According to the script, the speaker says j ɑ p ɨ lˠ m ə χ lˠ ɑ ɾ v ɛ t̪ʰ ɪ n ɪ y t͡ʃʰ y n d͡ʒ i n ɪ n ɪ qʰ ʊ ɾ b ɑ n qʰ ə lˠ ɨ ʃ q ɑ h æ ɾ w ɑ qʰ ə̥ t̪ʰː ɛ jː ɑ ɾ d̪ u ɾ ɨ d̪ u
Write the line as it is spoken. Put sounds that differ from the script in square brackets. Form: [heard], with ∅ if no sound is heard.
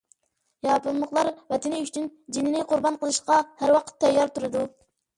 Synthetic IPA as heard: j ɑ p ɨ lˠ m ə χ lˠ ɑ ɾ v ɛ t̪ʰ ɪ n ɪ y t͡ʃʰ y n d͡ʒ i n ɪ n ɪ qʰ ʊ ɾ b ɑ n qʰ ə lˠ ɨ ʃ q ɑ h æ ɾ w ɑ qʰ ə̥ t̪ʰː ɛ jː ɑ ɾ [t̪] u ɾ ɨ d̪ u

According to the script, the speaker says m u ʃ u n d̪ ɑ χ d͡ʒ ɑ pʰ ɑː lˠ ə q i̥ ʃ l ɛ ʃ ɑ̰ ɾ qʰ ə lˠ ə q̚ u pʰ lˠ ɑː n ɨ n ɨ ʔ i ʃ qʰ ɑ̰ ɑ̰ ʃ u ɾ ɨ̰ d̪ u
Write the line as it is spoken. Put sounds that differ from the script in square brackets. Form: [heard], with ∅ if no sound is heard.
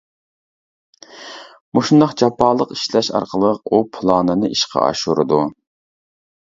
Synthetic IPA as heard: m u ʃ u n d̪ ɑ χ d͡ʒ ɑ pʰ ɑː lˠ ə q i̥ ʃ l ɛ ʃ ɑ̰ ɾ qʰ ə lˠ ə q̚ u pʰ lˠ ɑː n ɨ n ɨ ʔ i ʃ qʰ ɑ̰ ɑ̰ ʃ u ɾ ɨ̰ d̪ u

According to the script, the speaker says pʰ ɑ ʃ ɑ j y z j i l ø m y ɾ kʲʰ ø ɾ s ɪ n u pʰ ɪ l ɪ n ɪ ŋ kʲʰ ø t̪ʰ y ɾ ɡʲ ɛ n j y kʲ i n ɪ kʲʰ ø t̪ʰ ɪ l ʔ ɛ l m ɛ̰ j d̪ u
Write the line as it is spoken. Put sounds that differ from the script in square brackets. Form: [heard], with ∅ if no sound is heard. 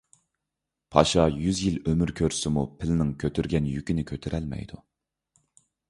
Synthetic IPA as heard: pʰ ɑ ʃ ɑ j y z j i l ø m y ɾ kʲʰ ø ɾ s ɪ [m] u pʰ ɪ l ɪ n ɪ ŋ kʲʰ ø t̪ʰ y ɾ ɡʲ ɛ n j y kʲ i n ɪ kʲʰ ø t̪ʰ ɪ [ɾ] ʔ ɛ l m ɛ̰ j d̪ u

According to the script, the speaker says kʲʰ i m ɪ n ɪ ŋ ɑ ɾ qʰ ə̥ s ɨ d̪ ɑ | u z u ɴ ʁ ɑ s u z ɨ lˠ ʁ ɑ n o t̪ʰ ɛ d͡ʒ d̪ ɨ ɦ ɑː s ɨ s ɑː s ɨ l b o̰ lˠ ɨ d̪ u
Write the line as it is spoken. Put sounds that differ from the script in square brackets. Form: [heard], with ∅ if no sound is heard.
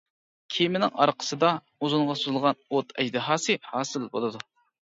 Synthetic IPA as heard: kʲʰ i m ɪ n ɪ ŋ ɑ ɾ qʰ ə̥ s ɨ d̪ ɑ | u z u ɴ ʁ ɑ s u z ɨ lˠ ʁ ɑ n o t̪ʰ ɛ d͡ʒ d̪ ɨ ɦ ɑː s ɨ [h] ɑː s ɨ l b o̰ lˠ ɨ d̪ u

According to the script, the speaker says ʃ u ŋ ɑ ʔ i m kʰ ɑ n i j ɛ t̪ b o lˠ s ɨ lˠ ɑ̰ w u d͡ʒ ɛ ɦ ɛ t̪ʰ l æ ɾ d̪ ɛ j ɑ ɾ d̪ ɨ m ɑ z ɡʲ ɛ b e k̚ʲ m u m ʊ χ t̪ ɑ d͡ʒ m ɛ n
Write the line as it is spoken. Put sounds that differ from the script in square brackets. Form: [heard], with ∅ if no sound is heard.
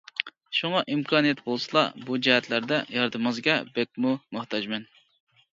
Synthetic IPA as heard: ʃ u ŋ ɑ ʔ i m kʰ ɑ n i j ɛ t̪ b o lˠ s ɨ lˠ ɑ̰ [b] u d͡ʒ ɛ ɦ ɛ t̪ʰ l æ ɾ d̪ ɛ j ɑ ɾ d̪ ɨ m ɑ z ɡʲ ɛ b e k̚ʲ m u m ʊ [h] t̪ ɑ d͡ʒ m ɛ n

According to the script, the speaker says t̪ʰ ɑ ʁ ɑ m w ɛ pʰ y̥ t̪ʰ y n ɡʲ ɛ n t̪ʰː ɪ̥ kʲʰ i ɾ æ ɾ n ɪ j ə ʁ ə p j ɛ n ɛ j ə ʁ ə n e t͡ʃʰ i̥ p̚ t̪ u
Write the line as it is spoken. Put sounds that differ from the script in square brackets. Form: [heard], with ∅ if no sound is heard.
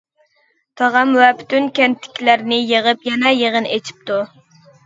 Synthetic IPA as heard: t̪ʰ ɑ ʁ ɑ m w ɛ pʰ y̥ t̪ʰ y n [kʲ] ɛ n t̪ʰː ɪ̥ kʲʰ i [l] æ ɾ n ɪ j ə ʁ ə p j ɛ n ɛ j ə ʁ ə n e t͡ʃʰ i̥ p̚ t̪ u

